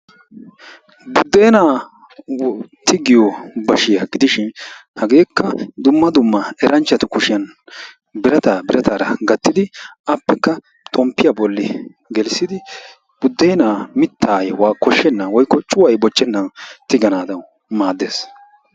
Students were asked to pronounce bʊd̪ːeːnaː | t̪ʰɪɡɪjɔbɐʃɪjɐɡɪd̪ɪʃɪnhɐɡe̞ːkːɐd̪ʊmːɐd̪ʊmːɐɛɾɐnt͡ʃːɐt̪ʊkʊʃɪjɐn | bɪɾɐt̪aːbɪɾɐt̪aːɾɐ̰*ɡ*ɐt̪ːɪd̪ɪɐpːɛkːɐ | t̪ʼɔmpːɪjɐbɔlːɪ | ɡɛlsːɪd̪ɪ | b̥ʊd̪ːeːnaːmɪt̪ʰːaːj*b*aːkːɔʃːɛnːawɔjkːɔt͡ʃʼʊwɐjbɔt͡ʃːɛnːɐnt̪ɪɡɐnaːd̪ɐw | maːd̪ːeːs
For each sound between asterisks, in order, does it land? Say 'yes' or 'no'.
yes, no

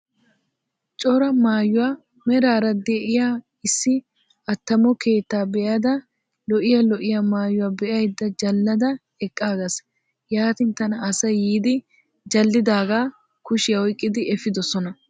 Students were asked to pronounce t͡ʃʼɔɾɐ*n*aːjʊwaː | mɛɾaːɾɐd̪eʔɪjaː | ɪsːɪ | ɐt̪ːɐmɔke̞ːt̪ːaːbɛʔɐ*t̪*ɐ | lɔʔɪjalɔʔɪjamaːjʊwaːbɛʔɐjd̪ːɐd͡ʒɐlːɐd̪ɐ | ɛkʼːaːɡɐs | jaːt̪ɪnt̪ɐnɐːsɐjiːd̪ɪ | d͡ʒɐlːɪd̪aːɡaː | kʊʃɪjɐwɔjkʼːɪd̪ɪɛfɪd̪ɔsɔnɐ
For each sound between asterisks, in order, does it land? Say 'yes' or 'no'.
no, no

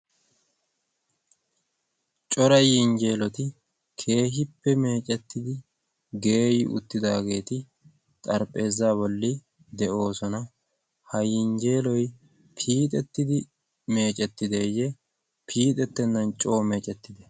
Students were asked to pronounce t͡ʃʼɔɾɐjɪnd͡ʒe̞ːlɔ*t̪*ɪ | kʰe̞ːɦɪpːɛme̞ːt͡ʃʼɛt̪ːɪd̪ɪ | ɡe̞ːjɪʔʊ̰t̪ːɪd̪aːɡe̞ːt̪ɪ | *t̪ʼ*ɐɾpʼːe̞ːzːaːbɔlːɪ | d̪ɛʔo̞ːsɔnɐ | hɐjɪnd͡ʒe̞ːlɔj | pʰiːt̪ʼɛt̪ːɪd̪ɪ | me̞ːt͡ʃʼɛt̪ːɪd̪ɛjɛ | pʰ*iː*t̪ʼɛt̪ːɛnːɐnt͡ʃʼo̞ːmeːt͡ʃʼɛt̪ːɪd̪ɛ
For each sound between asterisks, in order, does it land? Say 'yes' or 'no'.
yes, yes, yes

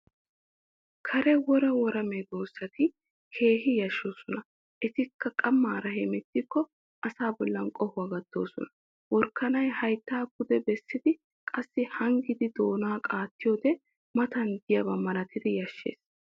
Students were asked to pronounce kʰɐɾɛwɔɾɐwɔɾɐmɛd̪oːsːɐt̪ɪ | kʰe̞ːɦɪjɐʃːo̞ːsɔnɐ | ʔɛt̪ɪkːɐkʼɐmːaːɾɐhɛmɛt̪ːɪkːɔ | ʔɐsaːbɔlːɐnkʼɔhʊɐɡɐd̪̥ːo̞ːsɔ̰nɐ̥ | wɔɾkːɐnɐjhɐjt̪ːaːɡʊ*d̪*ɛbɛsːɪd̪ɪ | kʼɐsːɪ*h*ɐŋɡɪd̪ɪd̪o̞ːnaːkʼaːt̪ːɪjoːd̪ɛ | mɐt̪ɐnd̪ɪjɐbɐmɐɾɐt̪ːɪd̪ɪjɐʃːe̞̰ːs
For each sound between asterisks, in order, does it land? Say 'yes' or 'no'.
yes, yes

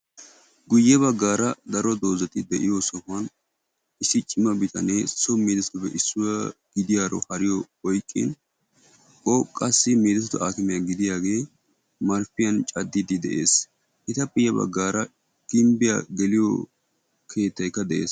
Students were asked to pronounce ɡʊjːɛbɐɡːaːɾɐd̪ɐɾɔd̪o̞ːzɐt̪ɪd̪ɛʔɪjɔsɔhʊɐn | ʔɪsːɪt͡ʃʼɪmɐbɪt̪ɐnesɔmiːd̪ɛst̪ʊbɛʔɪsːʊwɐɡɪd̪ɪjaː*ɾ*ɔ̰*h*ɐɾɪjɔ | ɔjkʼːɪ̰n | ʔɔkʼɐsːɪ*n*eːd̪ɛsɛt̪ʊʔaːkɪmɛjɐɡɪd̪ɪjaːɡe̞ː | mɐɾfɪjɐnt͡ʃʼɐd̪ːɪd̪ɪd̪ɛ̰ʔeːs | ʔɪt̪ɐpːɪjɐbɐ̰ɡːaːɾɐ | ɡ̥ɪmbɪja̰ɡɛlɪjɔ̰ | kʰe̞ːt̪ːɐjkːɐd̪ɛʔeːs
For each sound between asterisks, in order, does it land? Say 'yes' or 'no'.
yes, yes, no

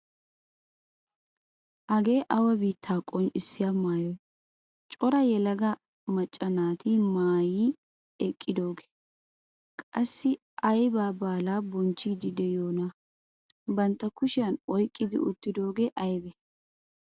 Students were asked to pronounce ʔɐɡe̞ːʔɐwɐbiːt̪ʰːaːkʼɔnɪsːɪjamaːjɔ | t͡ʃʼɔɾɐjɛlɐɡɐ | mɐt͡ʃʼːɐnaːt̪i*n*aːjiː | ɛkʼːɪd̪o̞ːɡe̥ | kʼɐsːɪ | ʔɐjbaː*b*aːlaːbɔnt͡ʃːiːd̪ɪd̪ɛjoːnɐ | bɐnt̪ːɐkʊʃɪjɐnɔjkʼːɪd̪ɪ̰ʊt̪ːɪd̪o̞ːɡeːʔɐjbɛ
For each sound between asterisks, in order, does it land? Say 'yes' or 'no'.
no, yes

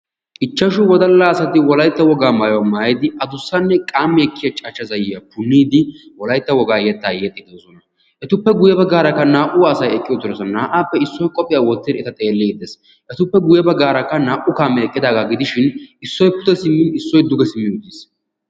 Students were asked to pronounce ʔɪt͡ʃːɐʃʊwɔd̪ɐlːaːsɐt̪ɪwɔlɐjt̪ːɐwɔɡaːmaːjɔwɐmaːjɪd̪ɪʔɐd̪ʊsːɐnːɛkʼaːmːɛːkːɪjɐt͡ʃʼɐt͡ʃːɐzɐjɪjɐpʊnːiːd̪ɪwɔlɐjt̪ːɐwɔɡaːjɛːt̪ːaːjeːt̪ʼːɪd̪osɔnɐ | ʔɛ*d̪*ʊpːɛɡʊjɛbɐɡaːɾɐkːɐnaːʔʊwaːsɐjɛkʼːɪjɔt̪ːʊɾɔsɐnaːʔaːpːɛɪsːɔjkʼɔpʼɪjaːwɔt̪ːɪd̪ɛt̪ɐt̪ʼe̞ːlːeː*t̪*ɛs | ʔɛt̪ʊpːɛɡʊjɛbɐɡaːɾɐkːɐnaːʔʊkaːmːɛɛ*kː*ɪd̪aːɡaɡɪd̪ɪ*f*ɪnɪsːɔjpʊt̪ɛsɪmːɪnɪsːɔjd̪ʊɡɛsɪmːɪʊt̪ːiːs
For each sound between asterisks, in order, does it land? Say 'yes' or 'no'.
no, no, no, no

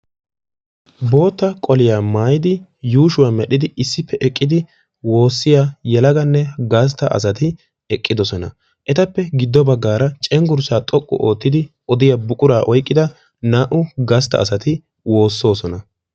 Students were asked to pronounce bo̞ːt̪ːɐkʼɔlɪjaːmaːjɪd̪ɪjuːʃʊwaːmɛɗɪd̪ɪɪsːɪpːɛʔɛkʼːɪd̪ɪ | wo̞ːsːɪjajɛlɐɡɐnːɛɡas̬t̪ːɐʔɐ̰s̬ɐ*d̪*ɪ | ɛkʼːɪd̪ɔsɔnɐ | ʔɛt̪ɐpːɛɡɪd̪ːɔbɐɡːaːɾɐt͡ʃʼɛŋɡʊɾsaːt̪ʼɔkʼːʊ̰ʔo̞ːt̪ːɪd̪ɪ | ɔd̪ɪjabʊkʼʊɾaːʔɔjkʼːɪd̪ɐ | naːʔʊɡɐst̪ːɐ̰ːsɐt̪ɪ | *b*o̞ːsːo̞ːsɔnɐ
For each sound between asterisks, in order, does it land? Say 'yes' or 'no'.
no, no

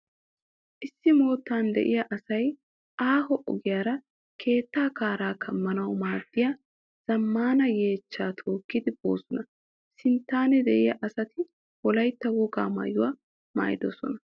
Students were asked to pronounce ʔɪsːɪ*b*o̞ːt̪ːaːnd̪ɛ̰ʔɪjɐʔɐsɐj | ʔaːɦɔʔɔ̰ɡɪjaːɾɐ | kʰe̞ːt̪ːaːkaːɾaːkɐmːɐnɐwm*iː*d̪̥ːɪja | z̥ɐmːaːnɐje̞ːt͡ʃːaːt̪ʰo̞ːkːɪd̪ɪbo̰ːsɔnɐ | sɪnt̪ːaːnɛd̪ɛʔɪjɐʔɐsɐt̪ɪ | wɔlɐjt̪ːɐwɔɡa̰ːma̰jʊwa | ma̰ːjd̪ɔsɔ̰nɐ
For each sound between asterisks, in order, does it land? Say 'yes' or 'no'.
no, no

